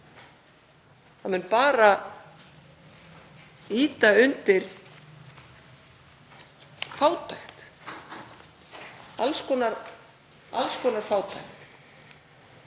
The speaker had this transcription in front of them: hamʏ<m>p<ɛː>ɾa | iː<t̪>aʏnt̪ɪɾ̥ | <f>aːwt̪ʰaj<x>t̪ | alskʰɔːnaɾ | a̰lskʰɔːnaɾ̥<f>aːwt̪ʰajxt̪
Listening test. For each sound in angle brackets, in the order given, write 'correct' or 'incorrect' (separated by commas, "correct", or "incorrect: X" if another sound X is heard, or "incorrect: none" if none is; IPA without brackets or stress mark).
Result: incorrect: n, incorrect: aː, correct, correct, correct, correct